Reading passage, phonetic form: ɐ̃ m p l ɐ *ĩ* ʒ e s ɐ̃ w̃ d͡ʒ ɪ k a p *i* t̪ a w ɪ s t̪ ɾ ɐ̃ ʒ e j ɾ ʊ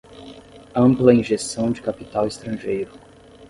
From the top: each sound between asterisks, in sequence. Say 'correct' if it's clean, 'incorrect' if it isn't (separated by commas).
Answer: correct, correct